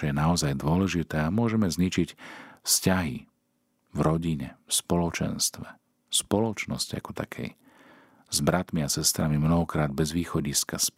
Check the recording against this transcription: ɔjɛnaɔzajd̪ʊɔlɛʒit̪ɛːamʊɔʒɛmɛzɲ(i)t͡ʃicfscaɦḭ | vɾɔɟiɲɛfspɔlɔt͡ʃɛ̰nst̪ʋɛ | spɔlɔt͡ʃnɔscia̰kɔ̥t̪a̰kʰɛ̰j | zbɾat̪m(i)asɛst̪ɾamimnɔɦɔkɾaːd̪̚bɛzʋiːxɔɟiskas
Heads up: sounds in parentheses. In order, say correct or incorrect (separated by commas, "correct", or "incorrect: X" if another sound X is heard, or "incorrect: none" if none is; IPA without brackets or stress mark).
correct, correct